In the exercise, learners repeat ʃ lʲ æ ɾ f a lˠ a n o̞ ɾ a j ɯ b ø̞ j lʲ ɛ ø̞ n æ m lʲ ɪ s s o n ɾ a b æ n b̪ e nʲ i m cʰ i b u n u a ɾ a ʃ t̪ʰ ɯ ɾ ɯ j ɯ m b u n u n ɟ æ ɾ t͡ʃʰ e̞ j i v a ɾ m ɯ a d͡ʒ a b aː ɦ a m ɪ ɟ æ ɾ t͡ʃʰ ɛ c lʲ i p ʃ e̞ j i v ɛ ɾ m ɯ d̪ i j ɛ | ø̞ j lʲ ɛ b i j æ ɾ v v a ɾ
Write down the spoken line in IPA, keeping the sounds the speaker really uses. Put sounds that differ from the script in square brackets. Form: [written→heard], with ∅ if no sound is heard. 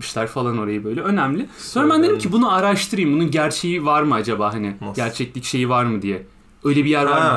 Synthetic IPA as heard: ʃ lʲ æ ɾ f a lˠ a n o̞ ɾ a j ɯ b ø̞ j lʲ ɛ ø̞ n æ m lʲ ɪ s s o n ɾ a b æ n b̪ e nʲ i m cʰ i b u n u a ɾ a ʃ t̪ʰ ɯ ɾ ɯ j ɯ m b u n u n ɟ æ ɾ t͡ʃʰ e̞ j i v a ɾ m ɯ a d͡ʒ a b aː ɦ a [m→n] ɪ ɟ æ ɾ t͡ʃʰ ɛ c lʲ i [p→c] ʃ e̞ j i v [ɛ→a] ɾ m ɯ d̪ i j ɛ | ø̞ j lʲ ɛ b i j æ ɾ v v a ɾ